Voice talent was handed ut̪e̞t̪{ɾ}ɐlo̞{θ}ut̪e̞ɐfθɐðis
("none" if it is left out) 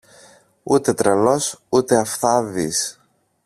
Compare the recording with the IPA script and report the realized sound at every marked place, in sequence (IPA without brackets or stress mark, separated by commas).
ɾ, s